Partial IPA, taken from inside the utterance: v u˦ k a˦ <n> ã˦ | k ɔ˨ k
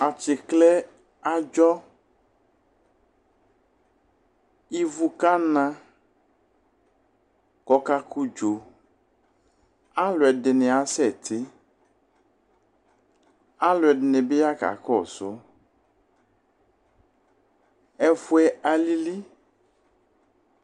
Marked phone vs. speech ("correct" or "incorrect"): correct